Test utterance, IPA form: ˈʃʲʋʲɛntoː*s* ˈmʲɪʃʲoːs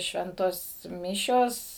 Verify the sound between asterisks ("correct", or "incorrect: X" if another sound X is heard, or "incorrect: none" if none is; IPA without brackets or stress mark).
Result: correct